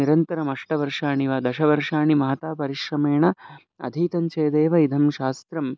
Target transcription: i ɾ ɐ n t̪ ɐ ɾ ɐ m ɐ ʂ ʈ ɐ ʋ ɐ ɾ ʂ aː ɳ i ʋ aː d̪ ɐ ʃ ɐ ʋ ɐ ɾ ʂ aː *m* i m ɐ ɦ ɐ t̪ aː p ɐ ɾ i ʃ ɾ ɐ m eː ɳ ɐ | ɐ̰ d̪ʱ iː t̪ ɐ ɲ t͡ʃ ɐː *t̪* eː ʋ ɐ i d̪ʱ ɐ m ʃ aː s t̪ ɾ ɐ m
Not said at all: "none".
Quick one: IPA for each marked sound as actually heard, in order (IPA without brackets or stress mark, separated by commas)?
ɳ, d̪